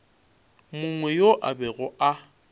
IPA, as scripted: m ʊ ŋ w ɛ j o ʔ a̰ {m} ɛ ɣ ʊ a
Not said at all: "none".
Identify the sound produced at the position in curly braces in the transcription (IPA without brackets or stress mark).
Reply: b